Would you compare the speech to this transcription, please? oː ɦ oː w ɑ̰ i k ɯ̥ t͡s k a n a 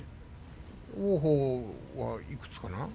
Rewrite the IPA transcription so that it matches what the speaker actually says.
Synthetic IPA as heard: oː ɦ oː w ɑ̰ i k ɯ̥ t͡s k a n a